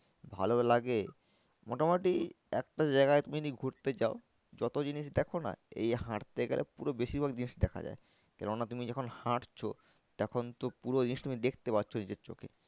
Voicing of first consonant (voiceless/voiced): voiced